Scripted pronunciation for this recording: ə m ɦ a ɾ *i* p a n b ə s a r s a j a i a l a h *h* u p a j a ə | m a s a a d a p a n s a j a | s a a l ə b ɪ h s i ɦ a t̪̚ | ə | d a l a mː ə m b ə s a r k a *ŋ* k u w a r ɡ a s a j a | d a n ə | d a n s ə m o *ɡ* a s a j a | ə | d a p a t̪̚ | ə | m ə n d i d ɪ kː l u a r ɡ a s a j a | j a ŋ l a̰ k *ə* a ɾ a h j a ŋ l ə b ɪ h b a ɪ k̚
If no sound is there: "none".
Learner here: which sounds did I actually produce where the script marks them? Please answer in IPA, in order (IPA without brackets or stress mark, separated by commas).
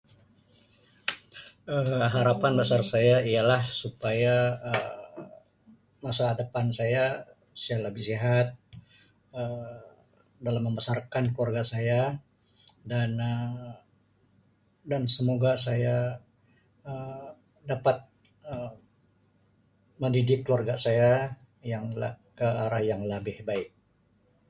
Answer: a, s, n, ɡ, ə